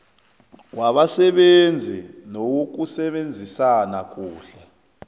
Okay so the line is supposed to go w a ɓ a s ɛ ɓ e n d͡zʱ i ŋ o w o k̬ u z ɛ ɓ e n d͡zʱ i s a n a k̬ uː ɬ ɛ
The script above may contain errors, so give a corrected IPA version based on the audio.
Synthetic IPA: w a ɓ a s ɛ ɓ e n d͡zʱ i n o w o k̬ u s ɛ ɓ e n d͡zʱ i s a n a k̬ uː ɬ ɛ